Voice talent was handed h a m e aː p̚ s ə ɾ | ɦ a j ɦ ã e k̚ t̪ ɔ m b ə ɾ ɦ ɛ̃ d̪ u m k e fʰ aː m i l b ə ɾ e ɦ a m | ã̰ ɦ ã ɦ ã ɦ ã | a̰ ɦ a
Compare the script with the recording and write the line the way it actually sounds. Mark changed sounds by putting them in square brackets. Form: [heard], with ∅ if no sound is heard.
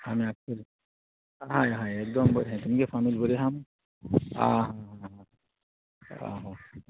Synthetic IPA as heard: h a m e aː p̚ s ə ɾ | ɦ a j ɦ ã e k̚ [d̪] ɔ m b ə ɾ ɦ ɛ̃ [t̪] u m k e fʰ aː m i l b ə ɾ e ɦ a m | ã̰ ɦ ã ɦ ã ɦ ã | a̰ ɦ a